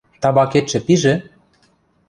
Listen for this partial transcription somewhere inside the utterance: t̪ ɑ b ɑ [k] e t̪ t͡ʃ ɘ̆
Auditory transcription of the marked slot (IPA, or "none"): k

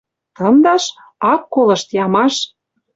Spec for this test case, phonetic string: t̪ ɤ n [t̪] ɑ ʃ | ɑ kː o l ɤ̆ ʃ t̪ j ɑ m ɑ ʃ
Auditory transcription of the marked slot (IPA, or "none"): d̪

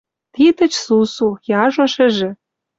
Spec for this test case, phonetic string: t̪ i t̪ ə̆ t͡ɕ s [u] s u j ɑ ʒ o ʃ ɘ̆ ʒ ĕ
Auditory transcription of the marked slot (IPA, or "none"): u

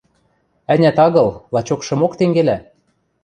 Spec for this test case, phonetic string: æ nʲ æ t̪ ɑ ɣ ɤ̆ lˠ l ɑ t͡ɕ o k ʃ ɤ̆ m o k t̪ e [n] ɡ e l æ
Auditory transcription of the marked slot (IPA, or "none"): ŋ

